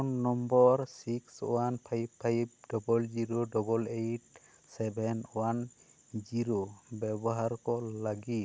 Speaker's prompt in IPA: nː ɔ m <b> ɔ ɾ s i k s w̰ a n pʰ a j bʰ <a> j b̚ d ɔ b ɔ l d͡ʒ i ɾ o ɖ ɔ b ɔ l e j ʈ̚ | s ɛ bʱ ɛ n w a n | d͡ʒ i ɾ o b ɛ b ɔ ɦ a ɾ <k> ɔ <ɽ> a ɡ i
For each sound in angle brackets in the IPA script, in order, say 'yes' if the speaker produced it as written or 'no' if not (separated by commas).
yes, yes, yes, no